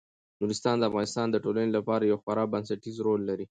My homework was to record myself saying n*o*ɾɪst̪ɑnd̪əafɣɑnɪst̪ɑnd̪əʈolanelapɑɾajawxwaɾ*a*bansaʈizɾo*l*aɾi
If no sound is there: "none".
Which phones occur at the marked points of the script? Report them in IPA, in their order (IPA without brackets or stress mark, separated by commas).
u, ɑ, lː